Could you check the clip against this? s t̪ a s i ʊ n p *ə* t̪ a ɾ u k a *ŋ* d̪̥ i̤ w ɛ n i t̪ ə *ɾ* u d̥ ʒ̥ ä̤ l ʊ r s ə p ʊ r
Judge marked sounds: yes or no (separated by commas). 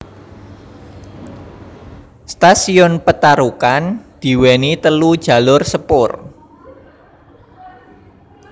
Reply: yes, no, no